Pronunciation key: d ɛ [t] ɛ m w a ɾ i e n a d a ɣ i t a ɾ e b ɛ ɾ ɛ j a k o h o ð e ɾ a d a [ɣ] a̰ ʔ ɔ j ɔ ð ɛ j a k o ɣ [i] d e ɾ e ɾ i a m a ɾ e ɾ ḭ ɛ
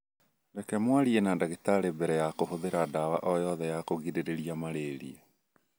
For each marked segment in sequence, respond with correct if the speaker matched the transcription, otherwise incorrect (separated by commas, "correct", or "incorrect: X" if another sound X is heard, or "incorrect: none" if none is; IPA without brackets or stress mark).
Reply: incorrect: k, incorrect: w, correct